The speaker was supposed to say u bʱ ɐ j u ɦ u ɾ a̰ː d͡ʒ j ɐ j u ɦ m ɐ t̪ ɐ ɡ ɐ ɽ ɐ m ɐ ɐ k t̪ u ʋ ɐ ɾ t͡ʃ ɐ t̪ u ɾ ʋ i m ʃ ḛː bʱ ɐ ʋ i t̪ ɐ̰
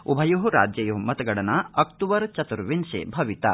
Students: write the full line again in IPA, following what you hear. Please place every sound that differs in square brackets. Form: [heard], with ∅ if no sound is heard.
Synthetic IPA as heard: u bʱ ɐ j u ɦ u ɾ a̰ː d͡ʒ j ɐ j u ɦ m ɐ t̪ ɐ ɡ ɐ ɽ ɐ [n] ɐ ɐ k t̪ u ʋ ɐ ɾ t͡ʃ ɐ t̪ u ɾ ʋ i [n] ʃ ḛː bʱ ɐ ʋ i t̪ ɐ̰